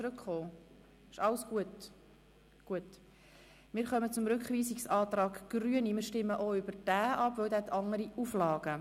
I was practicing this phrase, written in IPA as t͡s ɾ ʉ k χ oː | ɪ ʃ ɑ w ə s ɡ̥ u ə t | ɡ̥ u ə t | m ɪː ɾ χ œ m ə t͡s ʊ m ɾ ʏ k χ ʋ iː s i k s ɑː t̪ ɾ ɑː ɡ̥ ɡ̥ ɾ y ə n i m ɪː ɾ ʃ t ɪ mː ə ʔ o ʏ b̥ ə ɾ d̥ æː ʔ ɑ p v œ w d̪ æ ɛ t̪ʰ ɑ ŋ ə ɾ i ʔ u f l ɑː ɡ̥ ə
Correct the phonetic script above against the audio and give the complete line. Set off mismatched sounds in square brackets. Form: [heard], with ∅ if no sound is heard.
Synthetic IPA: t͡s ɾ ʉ k χ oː | ɪ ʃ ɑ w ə s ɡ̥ u ə t | ɡ̥ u ə t | m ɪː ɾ χ œ m ə t͡s ʊ m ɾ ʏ k χ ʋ iː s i k s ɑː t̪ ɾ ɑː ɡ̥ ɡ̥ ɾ y ə n i m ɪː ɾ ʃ t ɪ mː ə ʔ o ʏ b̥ ə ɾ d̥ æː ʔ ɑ p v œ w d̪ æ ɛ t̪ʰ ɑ ŋ ə ɾ i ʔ u f l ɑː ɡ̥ ə